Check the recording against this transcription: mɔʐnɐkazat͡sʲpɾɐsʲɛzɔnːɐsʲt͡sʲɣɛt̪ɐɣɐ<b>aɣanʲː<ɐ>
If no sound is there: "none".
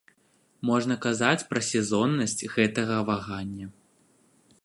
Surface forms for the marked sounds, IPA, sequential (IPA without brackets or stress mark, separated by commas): v, ɐ